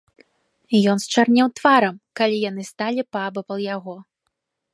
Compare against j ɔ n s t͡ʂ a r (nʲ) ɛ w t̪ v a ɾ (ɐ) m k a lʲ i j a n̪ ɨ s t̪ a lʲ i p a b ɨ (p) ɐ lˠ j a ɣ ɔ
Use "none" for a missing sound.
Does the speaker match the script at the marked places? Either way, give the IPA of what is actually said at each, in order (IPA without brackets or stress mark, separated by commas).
nʲ, ɐ, p